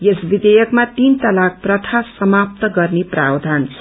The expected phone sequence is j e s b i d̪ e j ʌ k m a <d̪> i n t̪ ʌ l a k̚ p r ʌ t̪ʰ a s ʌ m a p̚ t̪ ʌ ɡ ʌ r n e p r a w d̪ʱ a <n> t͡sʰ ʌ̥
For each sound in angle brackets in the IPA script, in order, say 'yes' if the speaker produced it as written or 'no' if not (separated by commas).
no, yes